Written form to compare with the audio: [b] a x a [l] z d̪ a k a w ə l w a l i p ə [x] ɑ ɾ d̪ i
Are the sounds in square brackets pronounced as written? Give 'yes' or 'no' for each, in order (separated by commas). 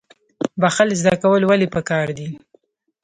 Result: yes, yes, no